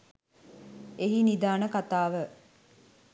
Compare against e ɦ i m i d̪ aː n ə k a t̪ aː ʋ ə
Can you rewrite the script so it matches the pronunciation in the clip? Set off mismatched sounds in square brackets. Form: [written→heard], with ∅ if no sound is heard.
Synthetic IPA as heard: e ɦ i [m→n] i d̪ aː n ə k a t̪ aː ʋ ə

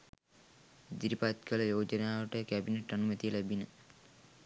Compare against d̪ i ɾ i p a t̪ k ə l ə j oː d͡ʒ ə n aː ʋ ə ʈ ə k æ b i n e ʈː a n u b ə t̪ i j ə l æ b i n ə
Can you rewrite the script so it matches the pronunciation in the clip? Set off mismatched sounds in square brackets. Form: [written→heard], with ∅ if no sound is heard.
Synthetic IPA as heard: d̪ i ɾ i p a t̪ k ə l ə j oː d͡ʒ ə n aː ʋ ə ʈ ə k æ b i n e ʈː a n u [b→m] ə t̪ i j ə l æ b i n ə

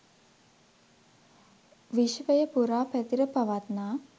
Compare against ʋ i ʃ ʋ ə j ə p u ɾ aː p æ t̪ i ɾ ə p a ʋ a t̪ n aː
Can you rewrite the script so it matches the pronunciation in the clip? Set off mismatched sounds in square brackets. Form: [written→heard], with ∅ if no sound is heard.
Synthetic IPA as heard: ʋ i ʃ ʋ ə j ə p u ɾ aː p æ t̪ i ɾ ə p a ʋ a t̪ n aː

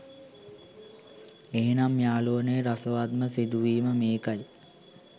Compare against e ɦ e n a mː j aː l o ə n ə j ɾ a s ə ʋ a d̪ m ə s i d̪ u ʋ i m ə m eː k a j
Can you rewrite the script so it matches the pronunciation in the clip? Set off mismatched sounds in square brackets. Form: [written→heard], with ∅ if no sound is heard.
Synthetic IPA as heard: e ɦ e n a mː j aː l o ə n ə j ɾ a s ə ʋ a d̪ m ə s i d̪ u ʋ [i→iː] m ə m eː k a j

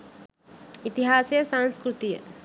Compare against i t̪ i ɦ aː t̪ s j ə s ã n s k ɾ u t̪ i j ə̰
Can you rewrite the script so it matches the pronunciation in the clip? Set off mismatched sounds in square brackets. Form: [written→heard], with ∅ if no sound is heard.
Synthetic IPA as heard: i t̪ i ɦ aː [t̪→∅] s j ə s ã n s k ɾ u t̪ i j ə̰

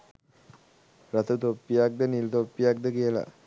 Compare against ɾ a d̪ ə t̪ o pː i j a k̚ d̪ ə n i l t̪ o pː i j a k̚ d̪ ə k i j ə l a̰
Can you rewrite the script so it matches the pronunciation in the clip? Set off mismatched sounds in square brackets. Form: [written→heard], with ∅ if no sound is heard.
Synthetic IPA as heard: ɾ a [d̪→t̪] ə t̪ o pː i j a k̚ d̪ ə n i l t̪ o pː i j a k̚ d̪ ə k i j ə l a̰

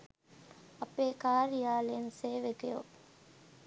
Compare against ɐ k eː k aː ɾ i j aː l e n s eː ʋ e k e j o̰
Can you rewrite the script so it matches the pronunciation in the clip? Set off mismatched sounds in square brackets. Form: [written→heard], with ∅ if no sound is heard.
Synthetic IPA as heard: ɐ [k→p] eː k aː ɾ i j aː l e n s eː ʋ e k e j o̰

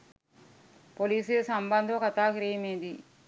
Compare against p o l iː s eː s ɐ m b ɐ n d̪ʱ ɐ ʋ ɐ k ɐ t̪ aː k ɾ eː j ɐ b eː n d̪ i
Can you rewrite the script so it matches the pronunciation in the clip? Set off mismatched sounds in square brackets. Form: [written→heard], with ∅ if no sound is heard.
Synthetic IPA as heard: p o l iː s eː s ɐ m b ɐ n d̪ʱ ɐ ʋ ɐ k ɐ t̪ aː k ɾ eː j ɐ [b→m] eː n d̪ i

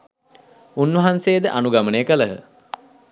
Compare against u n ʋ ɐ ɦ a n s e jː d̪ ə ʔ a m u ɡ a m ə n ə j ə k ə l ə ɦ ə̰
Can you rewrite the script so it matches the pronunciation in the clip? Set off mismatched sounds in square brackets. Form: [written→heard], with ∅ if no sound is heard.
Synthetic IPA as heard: u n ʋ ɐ ɦ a n s e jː d̪ ə ʔ a [m→n] u ɡ a m ə n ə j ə k ə l ə ɦ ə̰

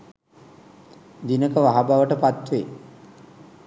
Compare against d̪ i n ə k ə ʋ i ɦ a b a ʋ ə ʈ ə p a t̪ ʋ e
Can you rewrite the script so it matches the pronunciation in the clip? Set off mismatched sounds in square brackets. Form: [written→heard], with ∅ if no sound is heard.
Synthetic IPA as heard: d̪ i n ə k ə ʋ [i→a] ɦ a b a ʋ ə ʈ ə p a t̪ ʋ e

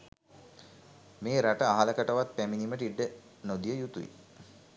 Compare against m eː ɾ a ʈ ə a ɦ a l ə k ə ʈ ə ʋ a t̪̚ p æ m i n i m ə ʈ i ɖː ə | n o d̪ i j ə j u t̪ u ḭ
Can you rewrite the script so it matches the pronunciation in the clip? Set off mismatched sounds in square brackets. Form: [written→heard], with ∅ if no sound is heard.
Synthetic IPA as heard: m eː ɾ a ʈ ə a ɦ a l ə k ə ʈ ə ʋ a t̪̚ p æ m i n i m ə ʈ i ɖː ə | n o d̪ i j ə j u t̪ u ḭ

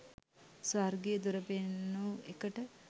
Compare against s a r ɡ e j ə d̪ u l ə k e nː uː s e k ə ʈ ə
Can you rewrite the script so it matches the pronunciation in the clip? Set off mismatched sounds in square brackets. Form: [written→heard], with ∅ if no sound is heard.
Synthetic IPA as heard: s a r ɡ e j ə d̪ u [l→ɾ] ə [k→p] e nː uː [s→∅] e k ə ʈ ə

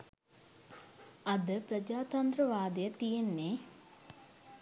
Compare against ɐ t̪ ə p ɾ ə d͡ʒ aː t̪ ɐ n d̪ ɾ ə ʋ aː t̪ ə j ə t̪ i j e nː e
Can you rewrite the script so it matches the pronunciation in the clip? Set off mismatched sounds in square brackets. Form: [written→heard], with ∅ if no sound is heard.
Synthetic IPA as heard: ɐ [t̪→d̪] ə p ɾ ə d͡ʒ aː t̪ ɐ n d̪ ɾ ə ʋ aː [t̪→d̪] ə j ə t̪ i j e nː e

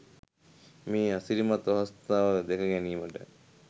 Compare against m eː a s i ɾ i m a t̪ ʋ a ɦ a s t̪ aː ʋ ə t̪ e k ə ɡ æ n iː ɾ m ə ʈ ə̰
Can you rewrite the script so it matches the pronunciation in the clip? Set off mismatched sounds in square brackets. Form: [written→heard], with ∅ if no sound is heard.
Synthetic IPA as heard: m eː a s i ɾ i m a t̪ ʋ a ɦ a s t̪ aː ʋ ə [t̪→d̪] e k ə ɡ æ n iː [ɾ→∅] m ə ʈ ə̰

